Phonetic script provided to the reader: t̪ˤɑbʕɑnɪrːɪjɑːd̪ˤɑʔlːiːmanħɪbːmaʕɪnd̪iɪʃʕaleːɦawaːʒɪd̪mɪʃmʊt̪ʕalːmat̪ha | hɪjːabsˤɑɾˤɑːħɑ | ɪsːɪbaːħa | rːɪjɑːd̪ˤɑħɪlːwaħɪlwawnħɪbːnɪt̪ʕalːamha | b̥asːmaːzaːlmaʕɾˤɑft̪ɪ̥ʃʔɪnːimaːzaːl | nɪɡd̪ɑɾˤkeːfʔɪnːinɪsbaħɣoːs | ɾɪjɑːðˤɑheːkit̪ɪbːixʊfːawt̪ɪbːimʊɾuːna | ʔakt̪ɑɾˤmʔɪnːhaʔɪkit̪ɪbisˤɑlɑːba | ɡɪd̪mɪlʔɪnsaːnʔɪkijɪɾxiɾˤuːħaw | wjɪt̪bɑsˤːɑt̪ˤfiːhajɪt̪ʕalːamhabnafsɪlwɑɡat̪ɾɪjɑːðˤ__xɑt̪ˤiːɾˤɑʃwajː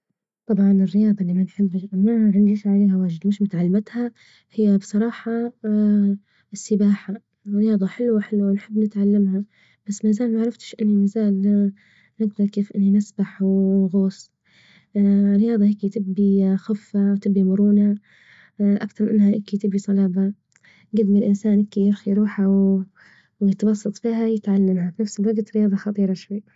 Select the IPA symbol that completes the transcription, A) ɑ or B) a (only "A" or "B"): A